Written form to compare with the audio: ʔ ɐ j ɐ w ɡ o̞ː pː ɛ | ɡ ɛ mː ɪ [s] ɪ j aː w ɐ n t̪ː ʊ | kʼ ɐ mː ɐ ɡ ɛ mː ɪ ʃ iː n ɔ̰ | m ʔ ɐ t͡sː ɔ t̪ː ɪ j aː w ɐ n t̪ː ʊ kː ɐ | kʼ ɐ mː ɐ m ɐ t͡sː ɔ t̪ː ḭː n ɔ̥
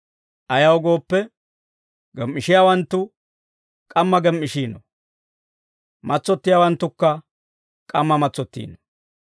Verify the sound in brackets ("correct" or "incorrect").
incorrect